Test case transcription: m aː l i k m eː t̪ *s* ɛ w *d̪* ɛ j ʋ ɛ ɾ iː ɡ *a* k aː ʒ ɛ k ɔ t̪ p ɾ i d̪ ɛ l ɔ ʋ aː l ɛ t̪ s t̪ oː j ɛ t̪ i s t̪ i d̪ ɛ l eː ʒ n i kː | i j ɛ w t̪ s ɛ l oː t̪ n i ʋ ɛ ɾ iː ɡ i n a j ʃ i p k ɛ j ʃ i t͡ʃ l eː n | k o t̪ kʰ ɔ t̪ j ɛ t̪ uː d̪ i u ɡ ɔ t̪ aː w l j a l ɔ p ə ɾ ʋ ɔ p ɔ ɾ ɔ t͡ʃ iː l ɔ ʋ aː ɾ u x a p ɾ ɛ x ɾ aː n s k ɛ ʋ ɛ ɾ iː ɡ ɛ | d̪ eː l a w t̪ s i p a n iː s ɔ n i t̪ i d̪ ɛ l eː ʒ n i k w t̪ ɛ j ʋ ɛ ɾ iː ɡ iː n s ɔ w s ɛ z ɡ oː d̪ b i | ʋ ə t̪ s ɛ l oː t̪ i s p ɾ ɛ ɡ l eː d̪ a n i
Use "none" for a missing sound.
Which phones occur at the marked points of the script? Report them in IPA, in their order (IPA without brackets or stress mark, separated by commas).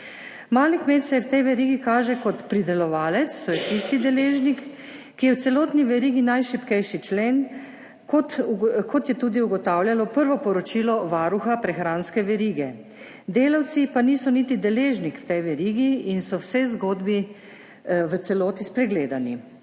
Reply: s, t̪, i